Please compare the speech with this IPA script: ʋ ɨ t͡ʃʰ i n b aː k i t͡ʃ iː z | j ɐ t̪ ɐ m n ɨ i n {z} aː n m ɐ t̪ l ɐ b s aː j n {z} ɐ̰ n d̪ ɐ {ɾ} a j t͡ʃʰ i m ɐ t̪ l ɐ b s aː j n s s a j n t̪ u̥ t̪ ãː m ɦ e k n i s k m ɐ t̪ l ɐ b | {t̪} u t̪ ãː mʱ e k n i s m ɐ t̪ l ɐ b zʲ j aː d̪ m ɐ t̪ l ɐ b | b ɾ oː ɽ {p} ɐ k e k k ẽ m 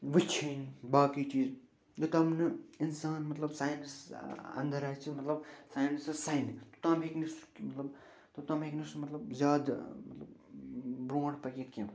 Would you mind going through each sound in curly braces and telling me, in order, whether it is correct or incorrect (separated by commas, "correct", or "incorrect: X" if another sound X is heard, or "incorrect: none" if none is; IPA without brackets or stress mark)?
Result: incorrect: s, incorrect: s, correct, correct, correct